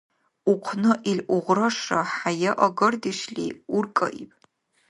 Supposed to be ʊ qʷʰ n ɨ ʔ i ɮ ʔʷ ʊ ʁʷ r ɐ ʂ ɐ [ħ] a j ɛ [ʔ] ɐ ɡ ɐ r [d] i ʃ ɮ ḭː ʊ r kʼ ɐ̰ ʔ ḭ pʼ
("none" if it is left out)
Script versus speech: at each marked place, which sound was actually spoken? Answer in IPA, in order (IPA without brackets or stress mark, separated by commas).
ħ, ʔ, d